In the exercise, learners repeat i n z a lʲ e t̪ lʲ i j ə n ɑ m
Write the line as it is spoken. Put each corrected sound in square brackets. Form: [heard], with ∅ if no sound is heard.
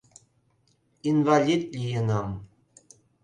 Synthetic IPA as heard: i n [v] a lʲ [i] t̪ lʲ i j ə n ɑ m